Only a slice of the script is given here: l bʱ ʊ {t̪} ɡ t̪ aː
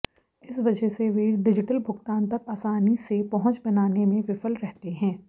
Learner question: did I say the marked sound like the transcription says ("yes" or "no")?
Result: no